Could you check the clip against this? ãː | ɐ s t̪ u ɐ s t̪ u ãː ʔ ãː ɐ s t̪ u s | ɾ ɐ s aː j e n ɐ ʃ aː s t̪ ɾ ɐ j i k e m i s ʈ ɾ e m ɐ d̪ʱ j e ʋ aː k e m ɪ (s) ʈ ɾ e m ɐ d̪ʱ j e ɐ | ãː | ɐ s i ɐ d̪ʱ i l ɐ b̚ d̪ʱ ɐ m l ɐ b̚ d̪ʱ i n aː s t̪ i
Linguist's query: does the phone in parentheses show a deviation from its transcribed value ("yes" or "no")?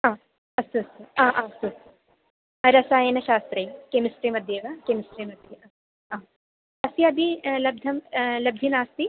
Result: no